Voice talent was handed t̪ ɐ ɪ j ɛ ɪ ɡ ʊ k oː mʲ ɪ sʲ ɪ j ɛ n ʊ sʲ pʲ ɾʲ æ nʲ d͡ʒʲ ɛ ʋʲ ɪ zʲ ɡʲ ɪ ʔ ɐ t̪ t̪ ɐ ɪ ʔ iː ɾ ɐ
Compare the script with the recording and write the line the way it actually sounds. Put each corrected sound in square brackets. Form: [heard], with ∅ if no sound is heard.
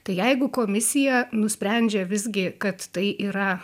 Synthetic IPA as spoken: t̪ ɐ ɪ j ɛ ɪ ɡ ʊ k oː mʲ ɪ sʲ ɪ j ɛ n ʊ sʲ pʲ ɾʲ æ nʲ d͡ʒʲ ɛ ʋʲ ɪ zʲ ɡʲ ɪ [k] ɐ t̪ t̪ ɐ ɪ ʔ iː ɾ ɐ

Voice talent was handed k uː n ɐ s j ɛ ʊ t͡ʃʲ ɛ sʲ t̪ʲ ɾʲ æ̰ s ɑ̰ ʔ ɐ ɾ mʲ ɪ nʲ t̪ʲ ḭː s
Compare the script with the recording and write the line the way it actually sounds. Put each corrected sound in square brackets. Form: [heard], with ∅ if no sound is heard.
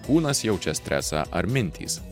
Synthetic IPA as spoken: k uː n ɐ s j ɛ ʊ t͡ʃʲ ɛ sʲ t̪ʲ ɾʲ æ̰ s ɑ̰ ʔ ɐ ɾ mʲ ɪ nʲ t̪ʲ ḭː s

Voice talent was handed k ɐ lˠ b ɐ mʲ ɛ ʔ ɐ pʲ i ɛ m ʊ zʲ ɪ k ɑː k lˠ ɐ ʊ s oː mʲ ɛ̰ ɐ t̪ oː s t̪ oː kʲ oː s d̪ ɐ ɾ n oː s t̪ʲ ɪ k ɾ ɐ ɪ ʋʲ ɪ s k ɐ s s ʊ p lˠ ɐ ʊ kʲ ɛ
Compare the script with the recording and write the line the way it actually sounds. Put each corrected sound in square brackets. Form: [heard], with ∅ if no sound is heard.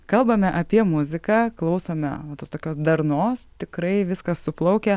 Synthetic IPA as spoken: k ɐ lˠ b ɐ mʲ ɛ ʔ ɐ pʲ i ɛ m ʊ zʲ ɪ k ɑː k lˠ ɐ ʊ s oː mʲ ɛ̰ ɐ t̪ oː s t̪ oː kʲ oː s d̪ ɐ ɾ n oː s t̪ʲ ɪ k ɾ ɐ ɪ ʋʲ ɪ s k ɐ s s ʊ p lˠ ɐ ʊ kʲ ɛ

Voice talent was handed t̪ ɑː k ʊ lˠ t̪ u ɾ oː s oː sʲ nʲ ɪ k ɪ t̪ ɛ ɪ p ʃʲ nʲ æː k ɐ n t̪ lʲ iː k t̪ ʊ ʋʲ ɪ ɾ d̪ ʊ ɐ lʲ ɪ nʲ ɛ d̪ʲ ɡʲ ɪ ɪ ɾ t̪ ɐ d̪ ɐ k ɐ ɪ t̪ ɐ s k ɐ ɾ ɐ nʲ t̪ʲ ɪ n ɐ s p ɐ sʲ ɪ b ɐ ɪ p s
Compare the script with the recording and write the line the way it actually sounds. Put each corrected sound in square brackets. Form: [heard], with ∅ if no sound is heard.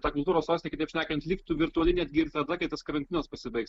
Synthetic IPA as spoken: t̪ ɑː k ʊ lˠ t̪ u ɾ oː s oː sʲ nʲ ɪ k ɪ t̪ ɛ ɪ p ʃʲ nʲ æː k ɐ n t̪ lʲ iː k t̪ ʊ ʋʲ ɪ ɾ [t̪] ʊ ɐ lʲ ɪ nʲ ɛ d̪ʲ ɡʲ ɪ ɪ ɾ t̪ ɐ d̪ ɐ k ɐ ɪ t̪ ɐ s k ɐ ɾ ɐ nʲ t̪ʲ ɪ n ɐ s p ɐ sʲ ɪ b ɐ ɪ [k] s

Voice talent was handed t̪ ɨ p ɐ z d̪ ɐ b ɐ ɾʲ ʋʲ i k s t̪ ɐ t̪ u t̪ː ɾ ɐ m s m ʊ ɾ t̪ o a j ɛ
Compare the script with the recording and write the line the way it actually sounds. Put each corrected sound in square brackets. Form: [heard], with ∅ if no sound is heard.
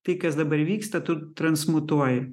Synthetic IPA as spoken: t̪ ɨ [k] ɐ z d̪ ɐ b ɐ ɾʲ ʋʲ i k s t̪ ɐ t̪ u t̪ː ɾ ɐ [n] s m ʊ [∅] t̪ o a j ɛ

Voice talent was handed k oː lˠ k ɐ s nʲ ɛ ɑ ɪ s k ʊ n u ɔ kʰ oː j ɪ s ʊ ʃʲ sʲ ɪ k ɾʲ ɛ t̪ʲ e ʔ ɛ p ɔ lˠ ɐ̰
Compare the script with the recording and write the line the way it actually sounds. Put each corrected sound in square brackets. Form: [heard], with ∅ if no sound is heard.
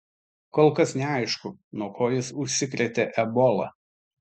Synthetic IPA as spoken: k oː lˠ k ɐ s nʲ ɛ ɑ ɪ [ʃ] k ʊ n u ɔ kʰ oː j ɪ s ʊ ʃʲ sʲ ɪ k ɾʲ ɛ t̪ʲ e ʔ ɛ [b] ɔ lˠ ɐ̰

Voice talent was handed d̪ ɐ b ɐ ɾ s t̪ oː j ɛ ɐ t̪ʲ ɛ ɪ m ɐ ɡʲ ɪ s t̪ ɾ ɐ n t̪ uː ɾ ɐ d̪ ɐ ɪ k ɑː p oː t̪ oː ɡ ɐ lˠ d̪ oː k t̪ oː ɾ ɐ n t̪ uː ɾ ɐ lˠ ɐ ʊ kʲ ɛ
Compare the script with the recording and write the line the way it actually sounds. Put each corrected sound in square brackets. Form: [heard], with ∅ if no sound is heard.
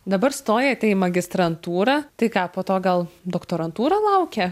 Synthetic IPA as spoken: d̪ ɐ b ɐ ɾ s t̪ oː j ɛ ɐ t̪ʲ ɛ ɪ m ɐ ɡʲ ɪ s t̪ ɾ ɐ n t̪ uː ɾ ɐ [t̪] ɐ ɪ k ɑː p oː t̪ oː ɡ ɐ lˠ d̪ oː k t̪ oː ɾ ɐ n t̪ uː ɾ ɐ lˠ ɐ ʊ kʲ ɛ

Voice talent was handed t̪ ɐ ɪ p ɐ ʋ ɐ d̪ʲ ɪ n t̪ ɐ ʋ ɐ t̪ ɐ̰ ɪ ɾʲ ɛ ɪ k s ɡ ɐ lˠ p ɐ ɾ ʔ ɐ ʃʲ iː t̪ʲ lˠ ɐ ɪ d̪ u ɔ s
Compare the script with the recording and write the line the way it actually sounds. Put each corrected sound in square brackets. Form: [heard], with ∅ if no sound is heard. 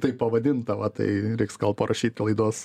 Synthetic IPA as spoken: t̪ ɐ ɪ p ɐ ʋ ɐ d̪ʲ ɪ n t̪ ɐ ʋ ɐ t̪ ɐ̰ ɪ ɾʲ ɛ ɪ k s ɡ ɐ lˠ p ɐ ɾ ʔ ɐ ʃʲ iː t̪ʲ lˠ ɐ ɪ d̪ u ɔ s

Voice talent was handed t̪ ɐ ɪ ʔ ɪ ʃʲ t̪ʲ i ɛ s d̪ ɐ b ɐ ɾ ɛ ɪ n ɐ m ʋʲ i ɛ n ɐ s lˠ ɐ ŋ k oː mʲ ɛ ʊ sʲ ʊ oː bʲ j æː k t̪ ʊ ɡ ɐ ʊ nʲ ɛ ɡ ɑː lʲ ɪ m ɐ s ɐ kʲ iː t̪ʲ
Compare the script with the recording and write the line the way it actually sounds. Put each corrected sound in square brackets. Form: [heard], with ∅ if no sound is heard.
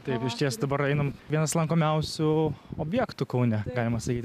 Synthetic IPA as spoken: t̪ ɐ ɪ [p] ɪ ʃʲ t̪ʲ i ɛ s d̪ ɐ b ɐ ɾ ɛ ɪ n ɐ m ʋʲ i ɛ n ɐ s lˠ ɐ ŋ k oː mʲ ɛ ʊ sʲ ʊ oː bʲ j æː k t̪ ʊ [k] ɐ ʊ nʲ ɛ ɡ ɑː lʲ ɪ m ɐ s ɐ kʲ iː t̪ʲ

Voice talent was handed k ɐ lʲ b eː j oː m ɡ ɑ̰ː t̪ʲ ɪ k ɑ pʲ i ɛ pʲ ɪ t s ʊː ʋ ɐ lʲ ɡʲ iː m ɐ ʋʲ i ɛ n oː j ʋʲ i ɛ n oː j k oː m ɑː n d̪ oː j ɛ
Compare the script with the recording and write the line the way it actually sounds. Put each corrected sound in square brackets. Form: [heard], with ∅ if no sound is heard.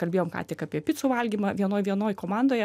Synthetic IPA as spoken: k ɐ lʲ b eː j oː m [k] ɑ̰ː t̪ʲ ɪ k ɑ pʲ i ɛ pʲ ɪ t s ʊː ʋ ɐ lʲ ɡʲ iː m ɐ ʋʲ i ɛ n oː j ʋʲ i ɛ n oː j k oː m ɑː n d̪ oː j ɛ

